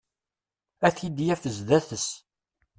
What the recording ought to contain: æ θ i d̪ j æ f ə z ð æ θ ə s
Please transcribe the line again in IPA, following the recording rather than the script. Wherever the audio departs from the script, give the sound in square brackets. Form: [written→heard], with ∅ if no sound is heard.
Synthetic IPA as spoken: æ θ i d̪ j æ f ə z ð æ θ ə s